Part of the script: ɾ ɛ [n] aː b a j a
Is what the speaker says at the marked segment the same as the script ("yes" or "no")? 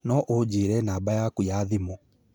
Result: yes